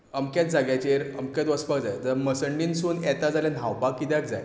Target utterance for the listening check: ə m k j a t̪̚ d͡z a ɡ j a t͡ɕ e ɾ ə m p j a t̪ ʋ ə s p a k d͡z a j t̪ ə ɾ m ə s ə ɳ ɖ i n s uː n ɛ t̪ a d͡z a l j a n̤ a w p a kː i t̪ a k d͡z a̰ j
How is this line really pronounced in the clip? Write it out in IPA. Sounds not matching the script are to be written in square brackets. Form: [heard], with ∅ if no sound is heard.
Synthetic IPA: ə m k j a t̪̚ d͡z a ɡ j a t͡ɕ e ɾ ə m [k] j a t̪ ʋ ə s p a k d͡z a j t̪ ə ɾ m ə s ə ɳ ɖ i n s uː n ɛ t̪ a d͡z a l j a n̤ a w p a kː i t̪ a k d͡z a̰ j